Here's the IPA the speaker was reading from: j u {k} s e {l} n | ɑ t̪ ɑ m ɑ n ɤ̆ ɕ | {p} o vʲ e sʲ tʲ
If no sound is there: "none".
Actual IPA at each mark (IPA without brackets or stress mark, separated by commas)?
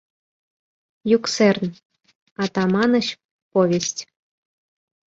k, r, p